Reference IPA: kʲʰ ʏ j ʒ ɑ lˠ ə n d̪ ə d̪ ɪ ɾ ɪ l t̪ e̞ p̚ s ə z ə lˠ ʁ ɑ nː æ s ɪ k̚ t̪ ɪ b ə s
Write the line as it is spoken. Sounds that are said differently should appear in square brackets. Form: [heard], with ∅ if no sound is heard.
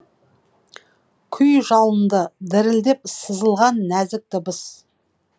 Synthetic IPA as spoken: kʲʰ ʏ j ʒ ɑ lˠ ə n d̪ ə d̪ ɪ ɾ ɪ l [d̪] e̞ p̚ s ə z ə lˠ ʁ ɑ nː æ [z] ɪ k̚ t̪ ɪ b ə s